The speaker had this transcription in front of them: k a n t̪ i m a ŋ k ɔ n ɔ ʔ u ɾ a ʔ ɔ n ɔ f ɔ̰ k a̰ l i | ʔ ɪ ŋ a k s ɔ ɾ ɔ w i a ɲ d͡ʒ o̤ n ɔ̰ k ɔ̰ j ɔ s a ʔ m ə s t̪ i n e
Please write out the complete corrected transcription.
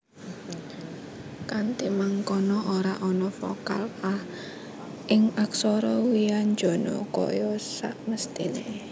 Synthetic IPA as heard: k a n t̪ i m a ŋ k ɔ n ɔ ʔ o ɾ a ʔ ɔ n ɔ f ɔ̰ k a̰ l a | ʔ ɪ ŋ a k s ɔ ɾ ɔ w i a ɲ d͡ʒ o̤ n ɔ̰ k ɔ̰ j ɔ s a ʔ m ə s t̪ i n e